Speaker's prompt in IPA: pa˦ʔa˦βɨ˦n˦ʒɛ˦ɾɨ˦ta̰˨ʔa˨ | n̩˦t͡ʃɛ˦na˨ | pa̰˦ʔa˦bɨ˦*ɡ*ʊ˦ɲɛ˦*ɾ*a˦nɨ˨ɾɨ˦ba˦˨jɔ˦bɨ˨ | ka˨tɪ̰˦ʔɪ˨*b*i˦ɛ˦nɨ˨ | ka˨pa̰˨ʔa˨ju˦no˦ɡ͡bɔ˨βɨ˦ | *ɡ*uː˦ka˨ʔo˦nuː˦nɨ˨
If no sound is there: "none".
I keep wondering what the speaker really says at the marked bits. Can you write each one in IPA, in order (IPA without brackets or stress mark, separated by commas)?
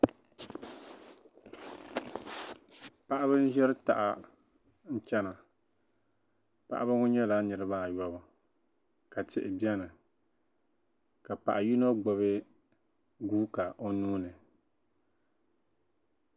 ŋ, l, b, ɡ